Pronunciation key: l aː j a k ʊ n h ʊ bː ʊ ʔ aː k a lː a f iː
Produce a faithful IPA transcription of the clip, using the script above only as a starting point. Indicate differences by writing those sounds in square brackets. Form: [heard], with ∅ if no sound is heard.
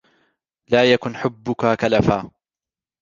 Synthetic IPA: l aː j a k ʊ n [ħ] ʊ bː ʊ [k] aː k a [l] a f [aː]